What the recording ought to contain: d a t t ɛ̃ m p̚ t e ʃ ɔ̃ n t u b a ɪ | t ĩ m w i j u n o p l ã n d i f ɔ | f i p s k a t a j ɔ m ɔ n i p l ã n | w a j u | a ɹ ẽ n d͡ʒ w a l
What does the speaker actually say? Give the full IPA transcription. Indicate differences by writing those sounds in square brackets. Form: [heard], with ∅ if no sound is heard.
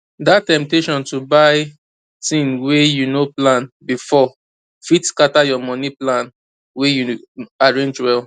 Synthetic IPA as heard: d a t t ɛ̃ m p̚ t e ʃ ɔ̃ n t u b a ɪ | t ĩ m w [e] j u n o p l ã n [b] i f ɔ | f i [t] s k a t a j ɔ m ɔ n i p l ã n | w [e] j u | a ɹ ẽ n d͡ʒ w [ɛ] l